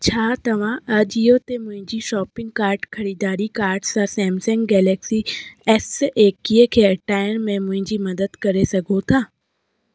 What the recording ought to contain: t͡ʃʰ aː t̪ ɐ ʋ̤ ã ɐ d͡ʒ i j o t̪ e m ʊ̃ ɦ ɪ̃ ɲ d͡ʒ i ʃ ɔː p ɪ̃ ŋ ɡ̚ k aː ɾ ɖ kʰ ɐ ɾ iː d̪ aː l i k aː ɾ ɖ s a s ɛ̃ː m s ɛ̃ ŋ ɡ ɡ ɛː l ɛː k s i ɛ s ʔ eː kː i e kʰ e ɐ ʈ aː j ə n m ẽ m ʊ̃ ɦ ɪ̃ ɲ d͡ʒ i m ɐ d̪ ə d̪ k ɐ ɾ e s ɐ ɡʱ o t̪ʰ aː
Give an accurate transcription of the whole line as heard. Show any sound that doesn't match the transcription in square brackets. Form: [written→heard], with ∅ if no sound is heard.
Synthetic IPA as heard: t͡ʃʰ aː t̪ ɐ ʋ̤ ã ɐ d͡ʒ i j o t̪ e m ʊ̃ ɦ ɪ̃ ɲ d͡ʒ i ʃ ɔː p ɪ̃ ŋ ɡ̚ k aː ɾ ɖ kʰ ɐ ɾ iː d̪ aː [l→ɾ] i k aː ɾ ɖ s a s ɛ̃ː m s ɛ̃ ŋ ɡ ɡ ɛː l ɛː k s i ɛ s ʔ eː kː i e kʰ e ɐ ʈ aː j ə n m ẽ m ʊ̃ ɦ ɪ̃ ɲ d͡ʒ i m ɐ d̪ ə d̪ k ɐ ɾ e s ɐ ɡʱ o t̪ʰ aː